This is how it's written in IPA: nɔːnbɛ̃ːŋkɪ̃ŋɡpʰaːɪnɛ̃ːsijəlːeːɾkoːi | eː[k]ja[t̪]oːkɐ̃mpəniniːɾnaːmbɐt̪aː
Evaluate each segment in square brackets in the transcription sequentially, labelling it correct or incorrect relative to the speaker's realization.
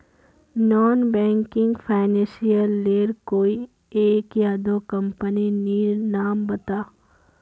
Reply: correct, incorrect: d̪

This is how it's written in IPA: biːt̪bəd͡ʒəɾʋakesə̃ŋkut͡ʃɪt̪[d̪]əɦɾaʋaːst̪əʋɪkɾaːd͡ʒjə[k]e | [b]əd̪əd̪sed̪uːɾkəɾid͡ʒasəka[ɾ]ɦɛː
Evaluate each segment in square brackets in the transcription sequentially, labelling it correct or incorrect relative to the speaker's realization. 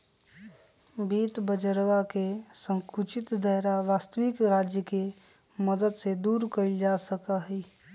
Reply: correct, correct, incorrect: m, incorrect: none

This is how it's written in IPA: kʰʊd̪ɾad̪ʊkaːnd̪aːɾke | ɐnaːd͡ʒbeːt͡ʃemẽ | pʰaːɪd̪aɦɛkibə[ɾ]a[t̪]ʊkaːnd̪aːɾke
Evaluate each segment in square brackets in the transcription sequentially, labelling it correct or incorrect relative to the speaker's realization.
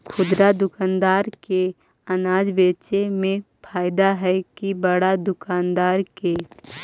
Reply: incorrect: ɽ, incorrect: d̪

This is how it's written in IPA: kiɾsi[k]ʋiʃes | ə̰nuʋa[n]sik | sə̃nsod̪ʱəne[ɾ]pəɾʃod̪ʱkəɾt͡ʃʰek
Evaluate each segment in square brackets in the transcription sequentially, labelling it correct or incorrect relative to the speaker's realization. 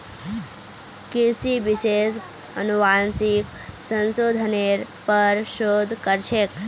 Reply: incorrect: none, correct, correct

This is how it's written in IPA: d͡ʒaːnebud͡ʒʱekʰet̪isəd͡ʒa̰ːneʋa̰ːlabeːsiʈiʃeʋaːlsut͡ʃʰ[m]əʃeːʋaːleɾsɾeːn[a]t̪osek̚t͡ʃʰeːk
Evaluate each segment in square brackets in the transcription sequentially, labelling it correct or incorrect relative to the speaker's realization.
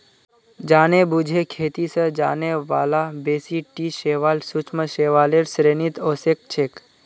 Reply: correct, incorrect: i

